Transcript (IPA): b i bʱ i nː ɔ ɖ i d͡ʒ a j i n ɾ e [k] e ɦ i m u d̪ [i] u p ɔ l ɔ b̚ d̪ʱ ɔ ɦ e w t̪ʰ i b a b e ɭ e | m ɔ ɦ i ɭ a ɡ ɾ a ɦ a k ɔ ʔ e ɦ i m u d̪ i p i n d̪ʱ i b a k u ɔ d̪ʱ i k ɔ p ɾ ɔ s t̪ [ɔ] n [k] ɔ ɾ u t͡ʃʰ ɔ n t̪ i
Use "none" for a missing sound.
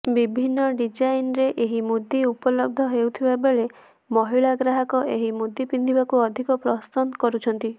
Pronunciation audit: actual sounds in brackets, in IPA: ʔ, i, ɔ, k

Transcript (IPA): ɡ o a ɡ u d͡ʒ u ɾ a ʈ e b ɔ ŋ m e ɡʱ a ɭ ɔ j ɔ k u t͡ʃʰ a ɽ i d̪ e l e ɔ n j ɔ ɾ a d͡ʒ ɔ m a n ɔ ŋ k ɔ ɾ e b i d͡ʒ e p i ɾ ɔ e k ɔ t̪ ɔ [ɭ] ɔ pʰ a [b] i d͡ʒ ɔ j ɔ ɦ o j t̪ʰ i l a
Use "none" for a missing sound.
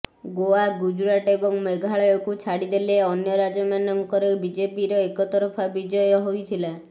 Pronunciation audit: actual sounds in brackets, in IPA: ɾ, b

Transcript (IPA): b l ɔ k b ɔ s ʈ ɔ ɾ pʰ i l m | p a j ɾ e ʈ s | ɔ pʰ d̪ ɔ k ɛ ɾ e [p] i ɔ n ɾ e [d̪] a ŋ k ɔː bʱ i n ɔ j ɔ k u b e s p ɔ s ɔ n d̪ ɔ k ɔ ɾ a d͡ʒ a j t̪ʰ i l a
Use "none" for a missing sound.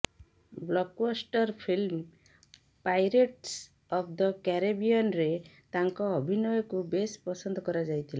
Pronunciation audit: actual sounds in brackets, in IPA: b, t̪

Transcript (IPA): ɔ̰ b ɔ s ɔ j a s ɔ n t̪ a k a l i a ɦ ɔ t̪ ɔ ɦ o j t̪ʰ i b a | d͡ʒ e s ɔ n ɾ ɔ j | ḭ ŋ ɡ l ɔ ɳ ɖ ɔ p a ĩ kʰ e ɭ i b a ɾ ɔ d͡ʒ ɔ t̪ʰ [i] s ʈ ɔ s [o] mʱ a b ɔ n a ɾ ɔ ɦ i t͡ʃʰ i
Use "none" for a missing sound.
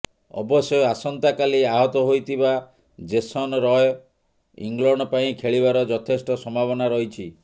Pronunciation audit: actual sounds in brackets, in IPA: e, ɔ

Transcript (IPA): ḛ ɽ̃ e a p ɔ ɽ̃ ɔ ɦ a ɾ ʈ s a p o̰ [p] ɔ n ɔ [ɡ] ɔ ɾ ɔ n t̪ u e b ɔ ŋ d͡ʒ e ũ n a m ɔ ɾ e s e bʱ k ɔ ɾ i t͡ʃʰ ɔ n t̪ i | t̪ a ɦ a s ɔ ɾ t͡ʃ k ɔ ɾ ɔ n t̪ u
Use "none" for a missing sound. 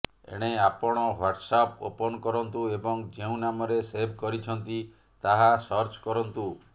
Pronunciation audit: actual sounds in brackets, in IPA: p, k

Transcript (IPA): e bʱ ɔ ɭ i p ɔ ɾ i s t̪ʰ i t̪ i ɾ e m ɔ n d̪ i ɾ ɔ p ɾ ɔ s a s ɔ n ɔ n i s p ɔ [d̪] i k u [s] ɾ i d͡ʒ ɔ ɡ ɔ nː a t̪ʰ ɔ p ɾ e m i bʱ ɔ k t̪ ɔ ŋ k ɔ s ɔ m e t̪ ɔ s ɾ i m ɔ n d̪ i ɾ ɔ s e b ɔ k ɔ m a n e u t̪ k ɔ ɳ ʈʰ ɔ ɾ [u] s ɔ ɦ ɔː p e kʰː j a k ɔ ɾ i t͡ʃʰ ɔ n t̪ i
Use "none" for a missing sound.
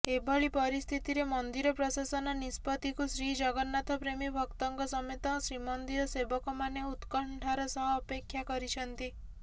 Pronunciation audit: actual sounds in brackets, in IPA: t̪, s, ɔ

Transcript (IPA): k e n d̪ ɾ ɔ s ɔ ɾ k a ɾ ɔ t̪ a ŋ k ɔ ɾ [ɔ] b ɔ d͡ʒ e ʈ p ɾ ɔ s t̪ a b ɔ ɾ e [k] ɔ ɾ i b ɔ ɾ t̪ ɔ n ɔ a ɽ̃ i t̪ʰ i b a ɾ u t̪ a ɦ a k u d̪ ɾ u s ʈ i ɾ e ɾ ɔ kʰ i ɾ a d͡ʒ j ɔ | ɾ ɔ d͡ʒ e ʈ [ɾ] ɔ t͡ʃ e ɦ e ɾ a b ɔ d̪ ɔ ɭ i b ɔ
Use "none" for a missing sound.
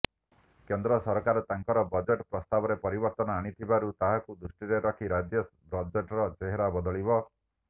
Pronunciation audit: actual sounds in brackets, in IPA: ɔ, p, ɾ

